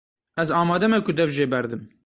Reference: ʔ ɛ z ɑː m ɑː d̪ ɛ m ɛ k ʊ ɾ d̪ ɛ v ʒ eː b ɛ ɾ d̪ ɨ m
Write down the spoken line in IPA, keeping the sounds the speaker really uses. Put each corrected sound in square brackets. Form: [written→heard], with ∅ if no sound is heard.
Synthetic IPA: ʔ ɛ z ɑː m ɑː d̪ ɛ m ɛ k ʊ [ɾ→∅] d̪ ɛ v ʒ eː b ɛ ɾ d̪ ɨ m